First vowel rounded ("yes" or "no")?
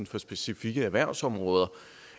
yes